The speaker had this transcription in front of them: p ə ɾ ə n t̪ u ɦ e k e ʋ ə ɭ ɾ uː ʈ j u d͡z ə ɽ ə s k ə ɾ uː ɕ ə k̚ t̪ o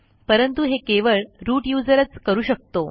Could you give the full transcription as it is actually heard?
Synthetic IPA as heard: p ə ɾ ə n t̪ u ɦ e k e ʋ ə ɭ ɾ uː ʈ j u d͡z ə ɾ ə t͡s k ə ɾ uː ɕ ə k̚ t̪ o